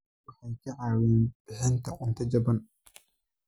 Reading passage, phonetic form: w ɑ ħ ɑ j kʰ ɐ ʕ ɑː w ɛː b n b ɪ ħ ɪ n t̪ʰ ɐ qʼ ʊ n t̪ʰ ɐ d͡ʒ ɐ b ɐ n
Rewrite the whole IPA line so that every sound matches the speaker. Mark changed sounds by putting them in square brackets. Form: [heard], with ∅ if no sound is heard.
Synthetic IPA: w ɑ ħ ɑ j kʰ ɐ ʕ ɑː w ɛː [∅] n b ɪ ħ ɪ n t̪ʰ ɐ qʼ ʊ n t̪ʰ ɐ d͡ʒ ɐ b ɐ n